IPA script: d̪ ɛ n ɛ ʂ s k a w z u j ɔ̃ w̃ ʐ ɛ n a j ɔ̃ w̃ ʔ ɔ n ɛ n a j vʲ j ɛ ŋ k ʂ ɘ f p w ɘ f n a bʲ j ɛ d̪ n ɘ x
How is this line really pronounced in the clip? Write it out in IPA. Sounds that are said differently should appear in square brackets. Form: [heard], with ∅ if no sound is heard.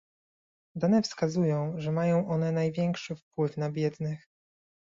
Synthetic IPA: d̪ [a] n ɛ [f] s k a [∅] z u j ɔ̃ w̃ ʐ ɛ [m] a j ɔ̃ w̃ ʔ ɔ n ɛ n a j vʲ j ɛ ŋ k ʂ ɘ f p w ɘ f n a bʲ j ɛ d̪ n ɘ x

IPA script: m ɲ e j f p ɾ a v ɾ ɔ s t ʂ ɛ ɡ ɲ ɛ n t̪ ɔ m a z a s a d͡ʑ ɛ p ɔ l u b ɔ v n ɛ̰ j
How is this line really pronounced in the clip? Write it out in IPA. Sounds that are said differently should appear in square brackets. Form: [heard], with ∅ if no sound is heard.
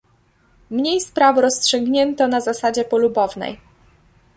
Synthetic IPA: m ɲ e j [s] p ɾ a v ɾ ɔ s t ʂ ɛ ɡ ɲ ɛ n t̪ ɔ [n] a z a s a d͡ʑ ɛ p ɔ l u b ɔ v n ɛ̰ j

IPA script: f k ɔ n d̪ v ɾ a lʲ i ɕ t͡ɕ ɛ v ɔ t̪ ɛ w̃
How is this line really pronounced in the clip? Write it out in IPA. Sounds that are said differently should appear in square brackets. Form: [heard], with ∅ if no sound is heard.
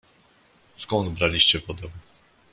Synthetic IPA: [s] k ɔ n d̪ [b] ɾ a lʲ i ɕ t͡ɕ ɛ v ɔ [d̪] ɛ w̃

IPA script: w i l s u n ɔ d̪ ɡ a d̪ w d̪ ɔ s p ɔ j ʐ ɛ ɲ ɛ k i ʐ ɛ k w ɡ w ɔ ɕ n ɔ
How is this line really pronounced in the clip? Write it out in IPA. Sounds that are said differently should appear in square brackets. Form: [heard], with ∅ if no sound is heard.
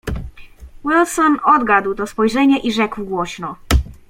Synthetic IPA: w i l s [ɔ] n ɔ d̪ ɡ a d̪ w [t̪] ɔ s p ɔ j ʐ ɛ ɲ ɛ [ʔ] i ʐ ɛ k w ɡ w ɔ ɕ n ɔ

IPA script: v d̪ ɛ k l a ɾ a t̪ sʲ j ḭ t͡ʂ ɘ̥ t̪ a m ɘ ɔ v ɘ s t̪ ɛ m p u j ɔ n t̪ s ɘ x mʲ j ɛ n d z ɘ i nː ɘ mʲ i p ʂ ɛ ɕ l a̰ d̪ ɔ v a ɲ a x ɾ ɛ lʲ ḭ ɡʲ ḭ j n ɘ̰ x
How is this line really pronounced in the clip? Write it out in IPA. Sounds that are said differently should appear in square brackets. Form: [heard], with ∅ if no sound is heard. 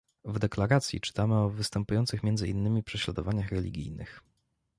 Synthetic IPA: v d̪ ɛ k l a ɾ a t̪ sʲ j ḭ t͡ʂ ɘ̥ t̪ a m ɘ ɔ v ɘ s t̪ ɛ m p u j ɔ n t̪ s ɘ x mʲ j ɛ n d z ɘ i nː ɘ mʲ i p ʂ ɛ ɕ l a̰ d̪ ɔ v a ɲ a x ɾ ɛ lʲ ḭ ɡʲ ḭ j n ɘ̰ x

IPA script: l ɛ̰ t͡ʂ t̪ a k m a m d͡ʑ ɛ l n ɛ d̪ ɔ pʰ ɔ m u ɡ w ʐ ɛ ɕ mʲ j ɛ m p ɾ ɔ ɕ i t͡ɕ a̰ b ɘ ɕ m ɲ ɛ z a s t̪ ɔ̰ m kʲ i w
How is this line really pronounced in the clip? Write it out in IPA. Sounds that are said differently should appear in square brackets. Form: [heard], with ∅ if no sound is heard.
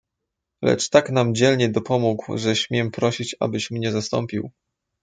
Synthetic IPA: l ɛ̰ t͡ʂ t̪ a k [n] a m d͡ʑ ɛ l [ɲ] ɛ d̪ ɔ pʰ ɔ m u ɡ w ʐ ɛ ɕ mʲ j ɛ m p ɾ ɔ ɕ i t͡ɕ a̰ b ɘ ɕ m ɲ ɛ z a s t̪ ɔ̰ m [pʲ] i w

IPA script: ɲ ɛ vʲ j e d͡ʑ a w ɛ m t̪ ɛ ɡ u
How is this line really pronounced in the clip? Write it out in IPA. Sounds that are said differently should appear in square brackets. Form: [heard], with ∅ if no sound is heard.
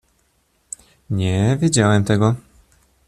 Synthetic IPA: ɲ ɛ vʲ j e d͡ʑ a w ɛ m t̪ ɛ ɡ [ɔ]

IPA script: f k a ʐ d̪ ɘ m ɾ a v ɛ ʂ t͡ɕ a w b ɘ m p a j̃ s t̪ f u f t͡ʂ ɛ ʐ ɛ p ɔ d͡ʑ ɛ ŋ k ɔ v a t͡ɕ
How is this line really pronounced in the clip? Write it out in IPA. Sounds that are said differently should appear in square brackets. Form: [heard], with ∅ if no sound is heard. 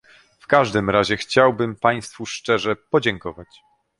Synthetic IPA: f k a ʐ d̪ ɘ m ɾ a [ʑ] ɛ [x] t͡ɕ a w b ɘ m p a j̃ s t̪ f u [ʂ] t͡ʂ ɛ ʐ ɛ p ɔ d͡ʑ ɛ ŋ k ɔ v a t͡ɕ

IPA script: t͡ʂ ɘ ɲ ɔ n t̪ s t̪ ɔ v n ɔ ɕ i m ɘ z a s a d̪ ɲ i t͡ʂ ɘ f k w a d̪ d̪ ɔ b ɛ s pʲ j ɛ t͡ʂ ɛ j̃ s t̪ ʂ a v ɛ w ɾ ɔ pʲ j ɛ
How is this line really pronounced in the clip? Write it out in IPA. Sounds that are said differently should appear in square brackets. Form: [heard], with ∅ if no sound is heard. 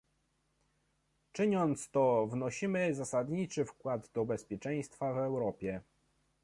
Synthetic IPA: t͡ʂ ɘ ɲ ɔ n t̪ s t̪ ɔ v n ɔ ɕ i m ɘ z a s a d̪ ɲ i t͡ʂ ɘ f k w a d̪ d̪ ɔ b ɛ s pʲ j ɛ t͡ʂ ɛ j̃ s t̪ [f] a v ɛ w ɾ ɔ pʲ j ɛ

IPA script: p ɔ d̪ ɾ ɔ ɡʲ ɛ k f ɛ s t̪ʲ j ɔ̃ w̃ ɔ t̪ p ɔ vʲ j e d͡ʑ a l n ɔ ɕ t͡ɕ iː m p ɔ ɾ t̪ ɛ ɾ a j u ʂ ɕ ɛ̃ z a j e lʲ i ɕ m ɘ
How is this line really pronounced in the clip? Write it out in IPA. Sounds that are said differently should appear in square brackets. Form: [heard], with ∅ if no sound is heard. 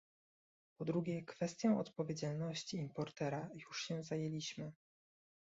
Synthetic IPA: p ɔ d̪ ɾ [u] ɡʲ ɛ k f ɛ s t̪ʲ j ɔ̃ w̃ ɔ t̪ p ɔ vʲ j e d͡ʑ a l n ɔ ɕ t͡ɕ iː m p ɔ ɾ t̪ ɛ ɾ a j u ʂ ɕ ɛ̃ z a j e lʲ i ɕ m ɘ

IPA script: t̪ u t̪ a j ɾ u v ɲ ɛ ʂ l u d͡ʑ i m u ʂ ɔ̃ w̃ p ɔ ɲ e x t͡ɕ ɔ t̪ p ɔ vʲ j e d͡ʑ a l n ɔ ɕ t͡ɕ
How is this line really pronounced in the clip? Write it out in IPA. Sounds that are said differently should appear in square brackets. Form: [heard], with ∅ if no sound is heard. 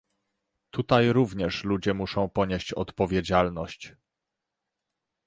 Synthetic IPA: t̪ u t̪ a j ɾ u v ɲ ɛ ʂ l u d͡ʑ [ɛ] m u ʂ ɔ̃ w̃ p ɔ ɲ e [ɕ] t͡ɕ ɔ t̪ p ɔ vʲ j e d͡ʑ a l n ɔ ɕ t͡ɕ

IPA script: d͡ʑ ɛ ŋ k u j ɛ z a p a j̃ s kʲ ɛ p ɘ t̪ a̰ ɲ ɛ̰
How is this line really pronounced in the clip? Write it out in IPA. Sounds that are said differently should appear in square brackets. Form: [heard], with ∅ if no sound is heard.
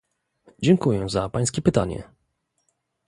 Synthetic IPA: d͡ʑ ɛ ŋ k u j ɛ z a p a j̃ s kʲ ɛ p ɘ t̪ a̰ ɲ ɛ̰

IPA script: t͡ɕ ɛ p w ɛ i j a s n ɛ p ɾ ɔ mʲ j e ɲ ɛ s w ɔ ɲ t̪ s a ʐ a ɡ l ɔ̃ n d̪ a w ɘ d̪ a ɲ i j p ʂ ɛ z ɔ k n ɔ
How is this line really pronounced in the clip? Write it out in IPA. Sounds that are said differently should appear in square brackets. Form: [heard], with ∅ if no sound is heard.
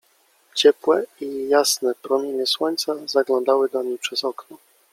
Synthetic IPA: t͡ɕ ɛ p w ɛ i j a s n ɛ p ɾ ɔ mʲ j e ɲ ɛ s w ɔ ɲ t̪ s a [z] a ɡ l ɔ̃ n d̪ a w ɘ d̪ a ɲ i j p ʂ ɛ z ɔ k n ɔ

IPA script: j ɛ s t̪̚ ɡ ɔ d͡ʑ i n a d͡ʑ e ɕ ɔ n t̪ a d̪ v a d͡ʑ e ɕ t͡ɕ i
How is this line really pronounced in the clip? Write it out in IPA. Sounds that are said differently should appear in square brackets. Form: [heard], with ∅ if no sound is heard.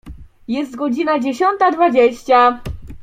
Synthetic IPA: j ɛ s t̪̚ ɡ ɔ d͡ʑ i n a d͡ʑ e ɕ ɔ n t̪ a d̪ v a d͡ʑ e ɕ t͡ɕ [a]

